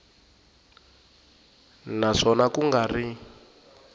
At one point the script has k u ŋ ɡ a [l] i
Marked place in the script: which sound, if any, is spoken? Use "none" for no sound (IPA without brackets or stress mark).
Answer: r